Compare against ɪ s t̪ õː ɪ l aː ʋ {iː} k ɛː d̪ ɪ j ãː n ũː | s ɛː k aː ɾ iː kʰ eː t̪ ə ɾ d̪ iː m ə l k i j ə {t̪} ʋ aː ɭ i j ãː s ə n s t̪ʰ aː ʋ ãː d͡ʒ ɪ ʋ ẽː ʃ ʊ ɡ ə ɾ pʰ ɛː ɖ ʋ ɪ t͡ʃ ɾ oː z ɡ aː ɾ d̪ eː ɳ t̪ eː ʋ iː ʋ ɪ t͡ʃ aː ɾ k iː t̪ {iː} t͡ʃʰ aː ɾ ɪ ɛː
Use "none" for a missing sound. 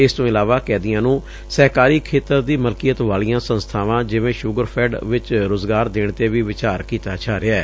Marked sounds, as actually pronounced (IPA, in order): aː, t̪, aː

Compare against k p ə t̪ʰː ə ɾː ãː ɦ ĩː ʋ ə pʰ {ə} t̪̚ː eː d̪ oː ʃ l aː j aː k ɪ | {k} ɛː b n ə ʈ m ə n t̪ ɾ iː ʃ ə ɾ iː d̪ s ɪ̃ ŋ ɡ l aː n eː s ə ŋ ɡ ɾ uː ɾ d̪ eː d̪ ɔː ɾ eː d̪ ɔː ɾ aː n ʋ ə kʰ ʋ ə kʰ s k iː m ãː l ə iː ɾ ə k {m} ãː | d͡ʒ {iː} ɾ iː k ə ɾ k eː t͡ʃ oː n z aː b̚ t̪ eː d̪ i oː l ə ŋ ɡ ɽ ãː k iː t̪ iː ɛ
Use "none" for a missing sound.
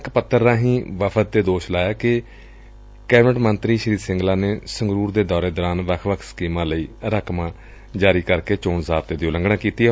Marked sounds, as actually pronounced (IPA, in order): ə, k, m, aː

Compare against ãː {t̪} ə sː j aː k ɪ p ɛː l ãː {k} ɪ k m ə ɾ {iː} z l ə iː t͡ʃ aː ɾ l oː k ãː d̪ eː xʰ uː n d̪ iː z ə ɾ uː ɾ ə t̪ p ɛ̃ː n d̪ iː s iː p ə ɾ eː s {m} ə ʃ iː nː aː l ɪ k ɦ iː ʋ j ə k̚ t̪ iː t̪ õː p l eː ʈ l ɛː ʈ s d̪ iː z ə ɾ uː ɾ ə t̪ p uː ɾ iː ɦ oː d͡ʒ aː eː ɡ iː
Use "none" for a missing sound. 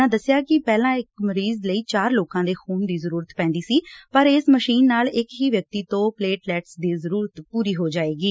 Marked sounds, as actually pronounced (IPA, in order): d̪, none, iː, m

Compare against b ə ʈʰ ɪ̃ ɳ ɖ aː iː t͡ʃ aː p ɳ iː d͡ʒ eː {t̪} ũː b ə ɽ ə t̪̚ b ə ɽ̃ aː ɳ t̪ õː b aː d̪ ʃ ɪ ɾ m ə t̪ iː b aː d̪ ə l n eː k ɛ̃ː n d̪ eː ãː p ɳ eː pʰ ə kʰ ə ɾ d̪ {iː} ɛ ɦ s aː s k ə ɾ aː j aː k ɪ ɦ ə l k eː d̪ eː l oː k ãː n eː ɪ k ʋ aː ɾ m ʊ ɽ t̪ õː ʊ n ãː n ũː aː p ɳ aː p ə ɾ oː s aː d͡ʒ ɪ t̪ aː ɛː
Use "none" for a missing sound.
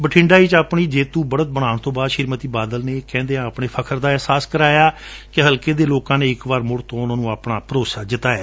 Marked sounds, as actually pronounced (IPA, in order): t̪, aː

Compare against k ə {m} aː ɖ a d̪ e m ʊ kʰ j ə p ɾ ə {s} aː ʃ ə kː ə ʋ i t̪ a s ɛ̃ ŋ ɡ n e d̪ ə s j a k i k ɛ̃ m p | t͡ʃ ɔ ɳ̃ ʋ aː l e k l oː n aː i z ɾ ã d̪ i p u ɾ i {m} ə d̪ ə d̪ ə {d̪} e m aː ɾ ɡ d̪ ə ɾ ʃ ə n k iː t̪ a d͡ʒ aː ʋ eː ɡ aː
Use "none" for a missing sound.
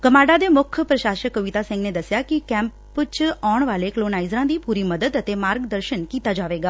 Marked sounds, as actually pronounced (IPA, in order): m, ʃ, m, t̪

